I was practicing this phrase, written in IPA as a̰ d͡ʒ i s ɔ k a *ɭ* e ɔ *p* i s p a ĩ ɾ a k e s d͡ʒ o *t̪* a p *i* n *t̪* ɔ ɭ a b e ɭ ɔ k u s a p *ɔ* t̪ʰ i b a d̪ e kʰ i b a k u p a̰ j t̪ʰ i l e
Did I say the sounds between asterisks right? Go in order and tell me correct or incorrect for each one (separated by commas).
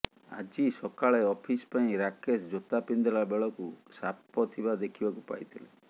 correct, incorrect, correct, correct, incorrect, correct